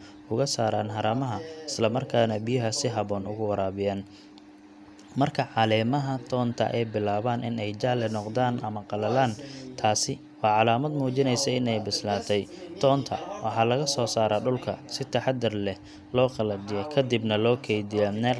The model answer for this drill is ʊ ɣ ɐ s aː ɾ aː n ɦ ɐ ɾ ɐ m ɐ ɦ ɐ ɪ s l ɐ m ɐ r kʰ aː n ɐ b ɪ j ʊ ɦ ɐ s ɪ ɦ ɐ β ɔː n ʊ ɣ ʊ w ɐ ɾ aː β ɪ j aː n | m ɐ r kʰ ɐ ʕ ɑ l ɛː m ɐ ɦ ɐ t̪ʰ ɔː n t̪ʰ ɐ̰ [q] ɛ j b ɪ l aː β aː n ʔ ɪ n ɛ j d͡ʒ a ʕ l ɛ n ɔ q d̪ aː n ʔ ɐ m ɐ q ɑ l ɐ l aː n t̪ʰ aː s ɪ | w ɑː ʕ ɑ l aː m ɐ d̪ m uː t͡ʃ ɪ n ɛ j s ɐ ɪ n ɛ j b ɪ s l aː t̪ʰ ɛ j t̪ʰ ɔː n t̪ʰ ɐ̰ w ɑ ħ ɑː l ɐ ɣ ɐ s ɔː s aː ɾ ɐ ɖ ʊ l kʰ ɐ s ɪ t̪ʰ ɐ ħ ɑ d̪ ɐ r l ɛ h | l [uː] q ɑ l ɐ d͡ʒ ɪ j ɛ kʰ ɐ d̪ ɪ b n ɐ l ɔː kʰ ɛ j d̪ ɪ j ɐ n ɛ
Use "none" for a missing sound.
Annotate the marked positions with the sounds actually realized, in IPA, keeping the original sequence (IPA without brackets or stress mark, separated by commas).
ʔ, ɔː